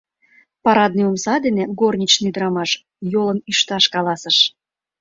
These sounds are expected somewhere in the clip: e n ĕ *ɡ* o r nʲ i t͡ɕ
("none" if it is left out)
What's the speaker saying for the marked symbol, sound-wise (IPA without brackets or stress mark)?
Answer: ɡ